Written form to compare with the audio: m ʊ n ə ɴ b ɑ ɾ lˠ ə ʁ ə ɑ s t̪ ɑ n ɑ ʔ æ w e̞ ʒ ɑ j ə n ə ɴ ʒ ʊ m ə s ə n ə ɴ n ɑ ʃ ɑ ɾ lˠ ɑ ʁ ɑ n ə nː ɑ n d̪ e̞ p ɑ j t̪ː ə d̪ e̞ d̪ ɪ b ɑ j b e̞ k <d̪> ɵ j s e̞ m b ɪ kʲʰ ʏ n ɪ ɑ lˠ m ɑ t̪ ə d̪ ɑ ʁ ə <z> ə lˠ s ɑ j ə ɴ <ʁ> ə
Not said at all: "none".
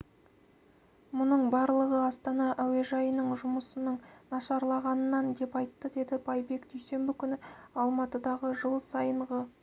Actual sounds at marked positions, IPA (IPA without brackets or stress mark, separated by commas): d̪, ʒ, ʁ